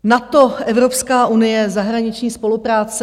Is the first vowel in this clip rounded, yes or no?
no